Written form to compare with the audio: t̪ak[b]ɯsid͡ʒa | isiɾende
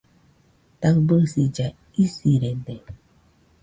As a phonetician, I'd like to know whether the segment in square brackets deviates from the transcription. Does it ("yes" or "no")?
no